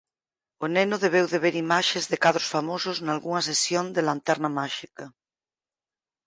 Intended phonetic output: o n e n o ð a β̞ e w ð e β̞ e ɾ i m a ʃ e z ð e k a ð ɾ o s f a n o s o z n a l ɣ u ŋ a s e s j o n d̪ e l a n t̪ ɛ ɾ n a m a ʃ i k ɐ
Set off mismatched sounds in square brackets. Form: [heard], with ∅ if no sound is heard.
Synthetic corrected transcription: o n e n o ð [e] β̞ e w ð e β̞ e ɾ i m a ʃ e z ð e k a ð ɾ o s f a [m] o s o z n a l ɣ u ŋ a s e s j o n d̪ e l a n t̪ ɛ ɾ n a m a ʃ i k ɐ